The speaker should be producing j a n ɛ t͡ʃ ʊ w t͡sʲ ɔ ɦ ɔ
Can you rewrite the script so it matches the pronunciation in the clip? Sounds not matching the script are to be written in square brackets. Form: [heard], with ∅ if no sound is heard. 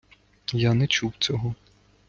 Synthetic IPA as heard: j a n ɛ t͡ʃ [u] w t͡sʲ ɔ ɦ ɔ